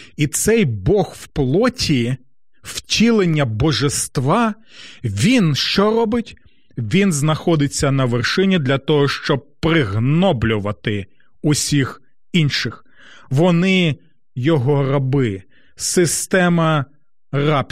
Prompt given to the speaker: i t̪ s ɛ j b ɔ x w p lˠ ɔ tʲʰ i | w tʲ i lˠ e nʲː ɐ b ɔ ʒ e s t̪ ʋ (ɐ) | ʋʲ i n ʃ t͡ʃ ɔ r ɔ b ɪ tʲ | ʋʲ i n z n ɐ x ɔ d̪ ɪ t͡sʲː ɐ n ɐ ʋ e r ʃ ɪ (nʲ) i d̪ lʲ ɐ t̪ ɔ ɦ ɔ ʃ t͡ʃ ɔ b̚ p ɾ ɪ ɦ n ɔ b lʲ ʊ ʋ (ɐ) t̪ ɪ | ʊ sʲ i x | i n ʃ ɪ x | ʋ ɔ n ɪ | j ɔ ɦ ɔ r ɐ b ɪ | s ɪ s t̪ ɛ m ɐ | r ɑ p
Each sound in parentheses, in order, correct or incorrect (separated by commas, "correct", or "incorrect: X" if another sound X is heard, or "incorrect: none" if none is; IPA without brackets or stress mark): incorrect: ɑ, correct, correct